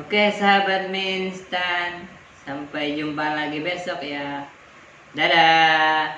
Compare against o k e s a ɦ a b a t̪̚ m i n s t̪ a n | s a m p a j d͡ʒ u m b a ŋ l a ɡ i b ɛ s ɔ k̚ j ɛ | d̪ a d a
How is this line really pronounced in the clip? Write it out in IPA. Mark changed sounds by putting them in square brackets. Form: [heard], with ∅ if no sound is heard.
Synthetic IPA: o k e s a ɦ a b a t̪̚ m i n s t̪ a n | s a m p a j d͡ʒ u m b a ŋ l a ɡ i b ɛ s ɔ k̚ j [a] | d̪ a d a